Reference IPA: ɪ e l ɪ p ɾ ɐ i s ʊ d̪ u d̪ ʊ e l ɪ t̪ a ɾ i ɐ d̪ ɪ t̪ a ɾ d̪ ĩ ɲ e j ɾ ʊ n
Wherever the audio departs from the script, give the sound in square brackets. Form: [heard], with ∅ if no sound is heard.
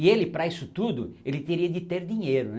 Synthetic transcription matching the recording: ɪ e l ɪ p ɾ ɐ i s ʊ [t̪] u d̪ ʊ e l ɪ t̪ [e] ɾ i ɐ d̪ ɪ t̪ [e] ɾ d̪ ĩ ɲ e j ɾ ʊ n